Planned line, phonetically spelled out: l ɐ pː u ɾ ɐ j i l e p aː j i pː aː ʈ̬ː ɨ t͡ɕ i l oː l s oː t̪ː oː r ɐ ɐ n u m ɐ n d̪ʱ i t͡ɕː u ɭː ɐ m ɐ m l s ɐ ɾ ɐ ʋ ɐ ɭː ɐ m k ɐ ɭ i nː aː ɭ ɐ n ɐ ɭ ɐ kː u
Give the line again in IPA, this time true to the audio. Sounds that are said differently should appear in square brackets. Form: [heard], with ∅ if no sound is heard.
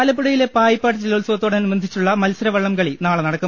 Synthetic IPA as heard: l ɐ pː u [ɽ] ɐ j i l e p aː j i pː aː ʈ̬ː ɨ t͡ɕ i l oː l s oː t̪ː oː [ɽ] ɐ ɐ n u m ɐ n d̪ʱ i t͡ɕː u ɭː ɐ m ɐ [∅] l s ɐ ɾ ɐ ʋ ɐ ɭː ɐ m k ɐ ɭ i [n] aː ɭ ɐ n ɐ [ɽ] ɐ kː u